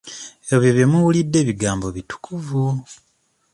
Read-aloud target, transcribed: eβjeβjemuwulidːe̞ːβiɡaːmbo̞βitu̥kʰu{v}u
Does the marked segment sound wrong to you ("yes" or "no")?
no